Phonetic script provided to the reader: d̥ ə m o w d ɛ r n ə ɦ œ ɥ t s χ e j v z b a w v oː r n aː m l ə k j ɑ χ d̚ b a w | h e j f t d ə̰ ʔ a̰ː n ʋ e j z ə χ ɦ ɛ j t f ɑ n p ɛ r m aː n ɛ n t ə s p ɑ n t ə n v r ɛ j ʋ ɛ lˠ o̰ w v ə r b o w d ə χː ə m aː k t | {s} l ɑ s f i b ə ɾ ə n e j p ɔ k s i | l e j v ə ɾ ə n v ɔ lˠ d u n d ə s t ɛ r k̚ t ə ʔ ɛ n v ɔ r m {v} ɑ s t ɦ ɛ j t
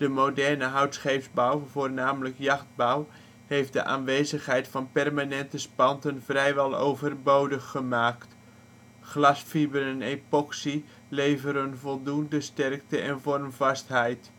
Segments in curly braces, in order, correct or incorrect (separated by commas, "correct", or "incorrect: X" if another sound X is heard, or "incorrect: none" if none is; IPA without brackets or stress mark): incorrect: χ, correct